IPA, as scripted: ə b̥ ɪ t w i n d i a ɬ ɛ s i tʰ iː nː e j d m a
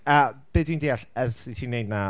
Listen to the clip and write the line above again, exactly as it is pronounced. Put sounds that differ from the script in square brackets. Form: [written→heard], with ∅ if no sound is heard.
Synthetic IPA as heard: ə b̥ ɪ [t→d] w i n d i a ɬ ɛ s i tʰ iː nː e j d [m→n] a